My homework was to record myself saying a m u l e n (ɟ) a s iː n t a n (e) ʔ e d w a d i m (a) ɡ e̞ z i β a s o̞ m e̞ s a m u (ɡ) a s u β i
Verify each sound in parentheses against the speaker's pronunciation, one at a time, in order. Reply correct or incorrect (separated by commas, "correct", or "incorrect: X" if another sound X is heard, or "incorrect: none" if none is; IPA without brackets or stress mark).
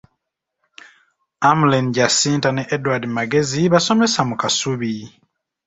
correct, correct, correct, incorrect: k